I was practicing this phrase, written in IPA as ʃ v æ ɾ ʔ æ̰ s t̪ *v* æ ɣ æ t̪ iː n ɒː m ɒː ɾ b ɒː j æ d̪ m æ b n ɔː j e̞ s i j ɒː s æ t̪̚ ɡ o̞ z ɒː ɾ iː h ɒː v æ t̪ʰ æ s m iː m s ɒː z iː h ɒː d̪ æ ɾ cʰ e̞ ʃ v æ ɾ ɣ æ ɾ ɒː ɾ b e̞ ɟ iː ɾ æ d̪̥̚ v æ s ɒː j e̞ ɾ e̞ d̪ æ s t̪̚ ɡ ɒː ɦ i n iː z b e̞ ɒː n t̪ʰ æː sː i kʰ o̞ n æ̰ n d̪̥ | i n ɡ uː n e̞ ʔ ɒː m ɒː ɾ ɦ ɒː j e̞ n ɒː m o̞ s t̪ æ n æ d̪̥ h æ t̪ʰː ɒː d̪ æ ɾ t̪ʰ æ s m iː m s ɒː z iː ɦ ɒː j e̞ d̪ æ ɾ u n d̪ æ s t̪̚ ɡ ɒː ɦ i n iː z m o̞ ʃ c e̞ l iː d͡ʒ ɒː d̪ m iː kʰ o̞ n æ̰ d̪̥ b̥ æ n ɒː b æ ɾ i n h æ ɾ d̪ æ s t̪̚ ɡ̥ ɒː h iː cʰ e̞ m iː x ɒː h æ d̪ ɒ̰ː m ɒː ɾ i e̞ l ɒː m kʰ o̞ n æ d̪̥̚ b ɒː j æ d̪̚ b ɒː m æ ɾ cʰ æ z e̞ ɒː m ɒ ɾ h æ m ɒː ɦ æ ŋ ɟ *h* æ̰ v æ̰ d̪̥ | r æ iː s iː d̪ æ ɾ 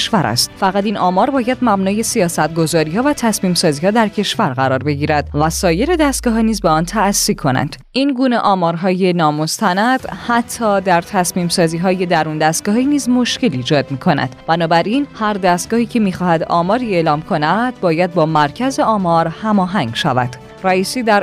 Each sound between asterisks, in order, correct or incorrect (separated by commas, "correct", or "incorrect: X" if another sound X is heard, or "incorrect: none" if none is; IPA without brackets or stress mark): incorrect: f, incorrect: ʃ